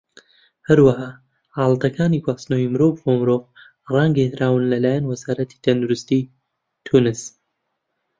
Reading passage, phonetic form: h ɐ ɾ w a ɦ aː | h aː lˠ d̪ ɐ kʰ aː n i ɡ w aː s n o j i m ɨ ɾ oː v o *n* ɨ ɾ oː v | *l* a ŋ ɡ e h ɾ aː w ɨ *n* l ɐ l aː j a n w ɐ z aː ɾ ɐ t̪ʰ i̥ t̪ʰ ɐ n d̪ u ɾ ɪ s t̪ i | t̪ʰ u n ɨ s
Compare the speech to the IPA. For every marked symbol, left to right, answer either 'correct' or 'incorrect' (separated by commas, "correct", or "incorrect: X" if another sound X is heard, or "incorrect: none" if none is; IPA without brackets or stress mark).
incorrect: m, incorrect: r, correct